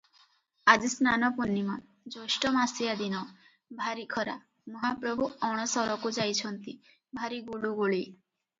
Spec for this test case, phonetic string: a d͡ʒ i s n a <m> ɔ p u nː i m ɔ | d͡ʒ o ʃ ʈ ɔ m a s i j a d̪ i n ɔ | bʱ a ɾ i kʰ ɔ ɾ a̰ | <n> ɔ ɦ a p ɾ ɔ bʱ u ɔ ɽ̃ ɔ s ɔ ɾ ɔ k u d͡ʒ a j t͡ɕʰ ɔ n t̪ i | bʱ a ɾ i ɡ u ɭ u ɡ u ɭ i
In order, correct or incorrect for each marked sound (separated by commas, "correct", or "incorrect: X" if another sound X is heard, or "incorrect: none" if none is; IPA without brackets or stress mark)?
incorrect: n, incorrect: m